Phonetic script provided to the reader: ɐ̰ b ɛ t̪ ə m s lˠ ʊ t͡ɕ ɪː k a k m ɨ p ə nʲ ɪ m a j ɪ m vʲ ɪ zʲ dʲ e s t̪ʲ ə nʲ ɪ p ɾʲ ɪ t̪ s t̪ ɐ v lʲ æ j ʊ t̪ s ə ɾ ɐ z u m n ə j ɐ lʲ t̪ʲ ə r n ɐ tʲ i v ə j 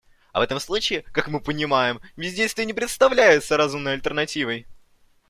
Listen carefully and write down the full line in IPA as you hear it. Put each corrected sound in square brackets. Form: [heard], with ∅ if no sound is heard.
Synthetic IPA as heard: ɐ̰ [v] ɛ t̪ ə m s lˠ [u] t͡ɕ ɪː k a k m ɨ p ə nʲ ɪ m a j ɪ m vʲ ɪ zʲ dʲ e s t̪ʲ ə nʲ ɪ p ɾʲ ɪ t̪ s t̪ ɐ v lʲ æ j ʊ t̪ s ə ɾ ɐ z u m n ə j ɐ lʲ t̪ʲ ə r n ɐ tʲ i v ə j